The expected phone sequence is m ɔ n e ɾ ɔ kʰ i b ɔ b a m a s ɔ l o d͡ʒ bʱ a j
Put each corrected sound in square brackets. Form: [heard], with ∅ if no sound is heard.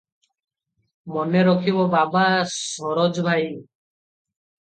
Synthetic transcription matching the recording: m ɔ n e ɾ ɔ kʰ i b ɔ b a [b] a s ɔ [ɾ] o d͡ʒ bʱ a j